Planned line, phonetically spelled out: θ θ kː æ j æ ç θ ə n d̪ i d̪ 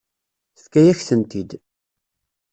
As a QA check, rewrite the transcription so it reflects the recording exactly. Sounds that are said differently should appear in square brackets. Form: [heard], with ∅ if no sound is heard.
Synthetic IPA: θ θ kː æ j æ ç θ ə n [t̪] i d̪